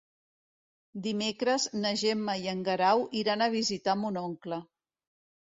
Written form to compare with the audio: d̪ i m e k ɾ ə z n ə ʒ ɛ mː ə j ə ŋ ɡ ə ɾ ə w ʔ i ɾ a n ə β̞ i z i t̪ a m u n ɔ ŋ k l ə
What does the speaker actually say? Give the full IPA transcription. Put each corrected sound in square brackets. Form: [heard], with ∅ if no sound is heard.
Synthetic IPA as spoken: d̪ i m e k ɾ ə z n ə ʒ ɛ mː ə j ə ŋ ɡ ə ɾ [a] w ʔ i ɾ a n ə β̞ i z i t̪ a m u n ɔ ŋ k l ə